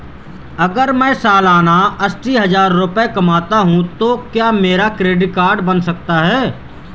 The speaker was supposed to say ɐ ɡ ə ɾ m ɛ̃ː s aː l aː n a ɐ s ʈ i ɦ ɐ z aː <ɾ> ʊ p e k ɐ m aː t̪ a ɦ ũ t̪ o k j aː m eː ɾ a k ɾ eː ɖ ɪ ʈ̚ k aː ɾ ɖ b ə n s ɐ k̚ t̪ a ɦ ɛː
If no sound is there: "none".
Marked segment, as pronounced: ɾː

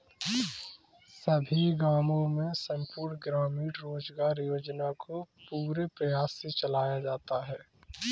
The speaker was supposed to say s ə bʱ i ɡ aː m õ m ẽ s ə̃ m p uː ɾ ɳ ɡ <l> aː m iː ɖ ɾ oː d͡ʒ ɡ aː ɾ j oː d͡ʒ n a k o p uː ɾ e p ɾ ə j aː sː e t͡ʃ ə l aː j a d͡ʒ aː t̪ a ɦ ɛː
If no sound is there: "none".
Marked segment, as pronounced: ɾ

